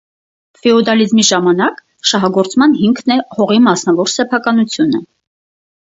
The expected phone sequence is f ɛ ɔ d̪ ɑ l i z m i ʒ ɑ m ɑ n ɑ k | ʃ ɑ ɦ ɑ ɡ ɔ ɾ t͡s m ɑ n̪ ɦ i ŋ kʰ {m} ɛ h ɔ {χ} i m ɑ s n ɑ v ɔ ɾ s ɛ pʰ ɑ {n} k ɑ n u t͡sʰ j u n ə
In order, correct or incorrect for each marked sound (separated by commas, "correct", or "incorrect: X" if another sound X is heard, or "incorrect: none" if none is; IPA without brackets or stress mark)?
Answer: incorrect: n, incorrect: ʁ, incorrect: none